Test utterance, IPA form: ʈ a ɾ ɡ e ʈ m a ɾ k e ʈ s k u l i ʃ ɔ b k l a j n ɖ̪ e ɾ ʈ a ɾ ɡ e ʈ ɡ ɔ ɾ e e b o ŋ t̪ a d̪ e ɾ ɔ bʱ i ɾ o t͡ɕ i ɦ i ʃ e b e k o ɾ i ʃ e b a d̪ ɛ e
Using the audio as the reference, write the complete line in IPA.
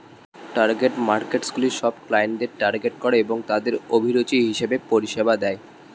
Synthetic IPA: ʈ a ɾ ɡ e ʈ m a ɾ k e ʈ s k u l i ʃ ɔ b k l a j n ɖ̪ e ɾ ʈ a ɾ ɡ e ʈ k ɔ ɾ e e b o ŋ t̪ a d̪ e ɾ o bʱ i ɾ o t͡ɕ i ɦ i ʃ e b e p o ɾ i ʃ e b a d̪ ɛ e